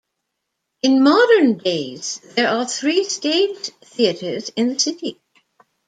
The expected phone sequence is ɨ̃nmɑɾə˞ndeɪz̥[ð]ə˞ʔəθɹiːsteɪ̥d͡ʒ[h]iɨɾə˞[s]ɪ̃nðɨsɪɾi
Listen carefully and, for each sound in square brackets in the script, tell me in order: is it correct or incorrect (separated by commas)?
correct, incorrect, incorrect